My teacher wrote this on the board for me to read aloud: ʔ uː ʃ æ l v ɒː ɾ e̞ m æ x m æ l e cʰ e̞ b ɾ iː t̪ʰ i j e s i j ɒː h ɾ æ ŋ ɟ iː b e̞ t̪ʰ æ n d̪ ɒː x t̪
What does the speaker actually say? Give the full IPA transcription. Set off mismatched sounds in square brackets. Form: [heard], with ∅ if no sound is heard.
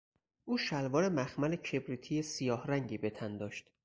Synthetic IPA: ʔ uː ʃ æ l v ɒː ɾ e̞ m æ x m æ l e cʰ e̞ b ɾ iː t̪ʰ i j e s i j ɒː h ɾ æ ŋ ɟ iː b e̞ t̪ʰ æ n d̪ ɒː [ʃ] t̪